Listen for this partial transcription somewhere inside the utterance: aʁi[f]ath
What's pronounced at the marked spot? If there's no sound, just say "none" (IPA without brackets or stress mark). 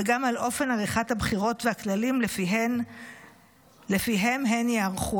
χ